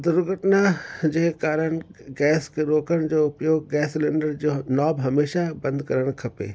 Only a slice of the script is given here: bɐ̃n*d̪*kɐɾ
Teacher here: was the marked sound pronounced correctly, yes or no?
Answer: yes